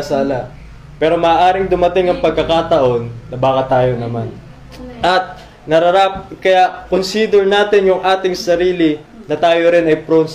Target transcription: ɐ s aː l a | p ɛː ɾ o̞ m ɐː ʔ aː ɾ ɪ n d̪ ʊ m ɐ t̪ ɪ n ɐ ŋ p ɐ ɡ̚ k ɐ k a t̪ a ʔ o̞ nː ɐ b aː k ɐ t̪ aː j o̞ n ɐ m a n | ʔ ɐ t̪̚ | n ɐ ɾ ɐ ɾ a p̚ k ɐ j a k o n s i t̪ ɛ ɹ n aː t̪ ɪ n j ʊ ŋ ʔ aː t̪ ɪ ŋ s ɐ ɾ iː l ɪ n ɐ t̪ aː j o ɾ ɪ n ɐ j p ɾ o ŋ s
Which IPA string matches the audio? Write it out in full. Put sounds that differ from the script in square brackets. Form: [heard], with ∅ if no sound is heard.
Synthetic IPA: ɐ s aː l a | p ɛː ɾ o̞ m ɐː ʔ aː ɾ ɪ [ŋ] d̪ ʊ m ɐ t̪ ɪ [ŋ] ɐ ŋ p ɐ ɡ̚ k ɐ k a t̪ [ɐ] ʔ o̞ nː ɐ b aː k ɐ t̪ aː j o̞ n ɐ m a n | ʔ ɐ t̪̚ | n ɐ ɾ ɐ ɾ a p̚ k ɐ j a k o n s i [d̪] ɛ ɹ n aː t̪ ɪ n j ʊ ŋ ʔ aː t̪ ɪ ŋ s ɐ ɾ iː l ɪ n ɐ t̪ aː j o ɾ ɪ n ɐ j p ɾ o [n] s